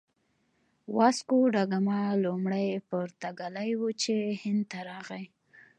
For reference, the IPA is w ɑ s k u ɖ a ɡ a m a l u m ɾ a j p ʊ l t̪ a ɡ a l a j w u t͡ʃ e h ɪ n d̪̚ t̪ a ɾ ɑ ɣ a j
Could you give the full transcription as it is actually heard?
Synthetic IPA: w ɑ s k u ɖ a ɡ a m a l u m ɽ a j p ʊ ɾ t̪ a ɡ a l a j w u t͡ʃ e h ɪ n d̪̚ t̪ a ɾ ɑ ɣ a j